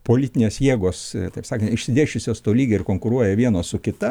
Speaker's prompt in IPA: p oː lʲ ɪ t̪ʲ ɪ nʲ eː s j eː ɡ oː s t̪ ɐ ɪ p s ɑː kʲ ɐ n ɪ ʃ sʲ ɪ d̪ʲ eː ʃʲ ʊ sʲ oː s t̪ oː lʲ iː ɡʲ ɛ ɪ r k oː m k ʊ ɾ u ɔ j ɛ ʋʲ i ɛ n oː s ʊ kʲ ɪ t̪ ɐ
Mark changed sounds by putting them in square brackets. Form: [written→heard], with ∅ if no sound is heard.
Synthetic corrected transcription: p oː lʲ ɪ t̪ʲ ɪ nʲ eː s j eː ɡ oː s t̪ ɐ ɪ p s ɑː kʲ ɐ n ɪ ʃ sʲ ɪ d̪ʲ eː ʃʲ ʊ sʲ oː s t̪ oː lʲ iː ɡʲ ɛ ɪ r k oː [m→ŋ] k ʊ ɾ u ɔ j ɛ ʋʲ i ɛ n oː s ʊ kʲ ɪ t̪ ɐ